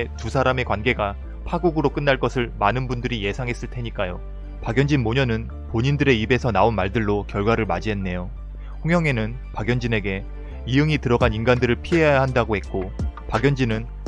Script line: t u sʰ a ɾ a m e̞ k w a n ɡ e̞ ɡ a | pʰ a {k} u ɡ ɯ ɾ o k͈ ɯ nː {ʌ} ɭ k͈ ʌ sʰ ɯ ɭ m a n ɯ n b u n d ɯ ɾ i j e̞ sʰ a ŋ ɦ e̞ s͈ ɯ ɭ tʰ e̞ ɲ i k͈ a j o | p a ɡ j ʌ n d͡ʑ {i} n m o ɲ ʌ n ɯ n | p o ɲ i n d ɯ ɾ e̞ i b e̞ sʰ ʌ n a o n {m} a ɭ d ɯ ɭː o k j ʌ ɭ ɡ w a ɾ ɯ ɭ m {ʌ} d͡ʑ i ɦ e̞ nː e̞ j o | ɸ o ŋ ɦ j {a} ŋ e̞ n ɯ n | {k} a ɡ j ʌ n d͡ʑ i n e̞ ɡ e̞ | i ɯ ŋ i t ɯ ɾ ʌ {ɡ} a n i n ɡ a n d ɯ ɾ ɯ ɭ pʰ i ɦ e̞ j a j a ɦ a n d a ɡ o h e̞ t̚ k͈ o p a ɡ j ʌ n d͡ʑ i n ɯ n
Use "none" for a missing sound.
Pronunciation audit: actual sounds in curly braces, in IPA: ɡ, a, i, m, a, ʌ, p, ɡ

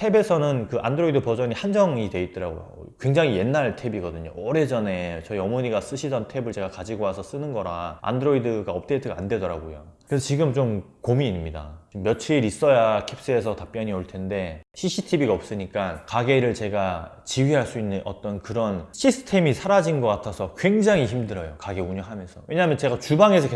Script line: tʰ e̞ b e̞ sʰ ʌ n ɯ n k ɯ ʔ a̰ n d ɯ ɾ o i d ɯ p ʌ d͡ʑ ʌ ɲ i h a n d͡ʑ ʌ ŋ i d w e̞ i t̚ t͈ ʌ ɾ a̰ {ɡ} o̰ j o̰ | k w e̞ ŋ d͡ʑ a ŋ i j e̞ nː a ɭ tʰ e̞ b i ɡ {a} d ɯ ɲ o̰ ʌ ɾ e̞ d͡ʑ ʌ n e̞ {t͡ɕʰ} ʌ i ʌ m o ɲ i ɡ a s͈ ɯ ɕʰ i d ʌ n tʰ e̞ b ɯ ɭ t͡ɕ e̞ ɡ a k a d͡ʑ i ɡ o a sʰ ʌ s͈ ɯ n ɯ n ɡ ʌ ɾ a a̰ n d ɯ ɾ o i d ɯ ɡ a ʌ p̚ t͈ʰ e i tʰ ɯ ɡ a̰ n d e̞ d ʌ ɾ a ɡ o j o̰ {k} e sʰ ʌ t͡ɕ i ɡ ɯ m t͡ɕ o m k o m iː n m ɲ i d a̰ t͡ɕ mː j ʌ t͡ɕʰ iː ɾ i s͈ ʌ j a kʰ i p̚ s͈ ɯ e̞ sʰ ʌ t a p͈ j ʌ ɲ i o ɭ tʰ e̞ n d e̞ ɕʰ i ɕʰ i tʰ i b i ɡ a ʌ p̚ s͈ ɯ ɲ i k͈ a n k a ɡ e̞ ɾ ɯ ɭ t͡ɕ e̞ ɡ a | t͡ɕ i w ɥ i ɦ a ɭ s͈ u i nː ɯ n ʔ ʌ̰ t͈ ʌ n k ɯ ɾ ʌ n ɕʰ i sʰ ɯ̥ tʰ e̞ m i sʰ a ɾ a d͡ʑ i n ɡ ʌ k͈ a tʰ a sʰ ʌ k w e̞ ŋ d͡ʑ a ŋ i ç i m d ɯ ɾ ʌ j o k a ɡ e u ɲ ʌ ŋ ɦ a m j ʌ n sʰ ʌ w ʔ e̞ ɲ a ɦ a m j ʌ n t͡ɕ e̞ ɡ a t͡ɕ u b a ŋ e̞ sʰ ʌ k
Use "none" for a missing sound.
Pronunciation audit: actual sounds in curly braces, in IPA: ɡ, ʌ, t͡ɕ, k

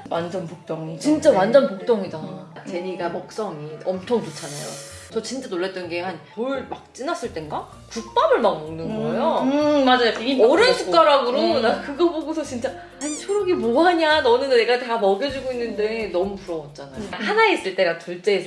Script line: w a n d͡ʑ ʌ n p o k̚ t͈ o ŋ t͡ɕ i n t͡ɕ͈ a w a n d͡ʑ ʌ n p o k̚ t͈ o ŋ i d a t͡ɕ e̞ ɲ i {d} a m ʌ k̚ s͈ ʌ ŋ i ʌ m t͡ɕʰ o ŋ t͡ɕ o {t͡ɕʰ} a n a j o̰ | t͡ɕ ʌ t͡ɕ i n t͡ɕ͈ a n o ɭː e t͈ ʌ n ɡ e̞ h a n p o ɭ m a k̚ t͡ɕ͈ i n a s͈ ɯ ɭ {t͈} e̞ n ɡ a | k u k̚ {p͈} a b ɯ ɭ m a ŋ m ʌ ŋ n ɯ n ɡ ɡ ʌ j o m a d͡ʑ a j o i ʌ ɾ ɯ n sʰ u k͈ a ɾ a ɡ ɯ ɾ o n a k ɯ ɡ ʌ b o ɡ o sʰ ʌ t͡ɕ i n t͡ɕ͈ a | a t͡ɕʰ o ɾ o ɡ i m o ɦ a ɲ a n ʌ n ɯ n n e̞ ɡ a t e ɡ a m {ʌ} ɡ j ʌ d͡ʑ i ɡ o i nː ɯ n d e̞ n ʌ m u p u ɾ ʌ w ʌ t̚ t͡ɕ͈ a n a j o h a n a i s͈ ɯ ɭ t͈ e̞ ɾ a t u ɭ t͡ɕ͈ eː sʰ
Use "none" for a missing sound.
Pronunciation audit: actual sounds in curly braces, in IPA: ɡ, t͡ɕʰ, t͈, p͈, ʌ

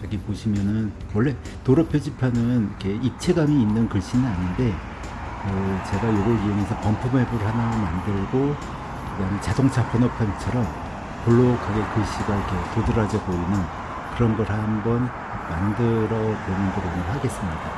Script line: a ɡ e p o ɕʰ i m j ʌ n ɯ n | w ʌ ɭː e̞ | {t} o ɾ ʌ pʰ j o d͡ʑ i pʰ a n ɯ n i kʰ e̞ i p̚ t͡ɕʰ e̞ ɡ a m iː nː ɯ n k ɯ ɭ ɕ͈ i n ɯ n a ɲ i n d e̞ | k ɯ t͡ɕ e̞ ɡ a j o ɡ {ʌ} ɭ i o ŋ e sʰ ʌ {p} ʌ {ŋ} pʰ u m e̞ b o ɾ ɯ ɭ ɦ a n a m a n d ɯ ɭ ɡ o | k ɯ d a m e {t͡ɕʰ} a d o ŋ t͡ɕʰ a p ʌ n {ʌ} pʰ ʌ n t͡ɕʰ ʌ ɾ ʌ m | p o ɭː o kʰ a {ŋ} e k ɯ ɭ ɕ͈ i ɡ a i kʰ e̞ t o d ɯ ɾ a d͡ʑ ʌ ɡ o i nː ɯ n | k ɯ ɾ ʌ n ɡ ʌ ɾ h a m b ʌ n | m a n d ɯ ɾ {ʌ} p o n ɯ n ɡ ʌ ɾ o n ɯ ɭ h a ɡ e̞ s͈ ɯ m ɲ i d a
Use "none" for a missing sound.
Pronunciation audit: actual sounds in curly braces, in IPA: t, ʌ, p, m, t͡ɕ, ʌ, ɡ, ʌ

